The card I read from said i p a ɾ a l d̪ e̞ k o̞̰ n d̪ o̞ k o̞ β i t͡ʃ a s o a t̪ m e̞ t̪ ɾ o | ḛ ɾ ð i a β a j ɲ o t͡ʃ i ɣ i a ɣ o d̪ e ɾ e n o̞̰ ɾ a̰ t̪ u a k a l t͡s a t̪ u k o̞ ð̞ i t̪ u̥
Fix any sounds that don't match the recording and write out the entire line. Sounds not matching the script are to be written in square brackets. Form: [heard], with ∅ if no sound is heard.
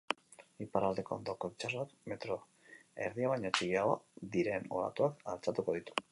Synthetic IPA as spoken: i p a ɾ a l d̪ e̞ k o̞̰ n d̪ o̞ k o̞ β i t͡ʃ a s o a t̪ m e̞ t̪ ɾ o | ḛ ɾ ð i a β a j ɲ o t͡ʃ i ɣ i a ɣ o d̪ [i] ɾ e n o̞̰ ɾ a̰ t̪ u a k a l t͡s a t̪ u k o̞ ð̞ i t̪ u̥